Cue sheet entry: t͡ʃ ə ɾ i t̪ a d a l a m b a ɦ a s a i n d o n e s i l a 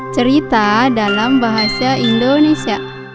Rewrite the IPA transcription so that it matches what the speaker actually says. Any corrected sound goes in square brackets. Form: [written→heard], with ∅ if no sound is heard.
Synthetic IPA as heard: t͡ʃ ə ɾ i t̪ a d a l a m b a ɦ a s a i n d o n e s i [l→∅] a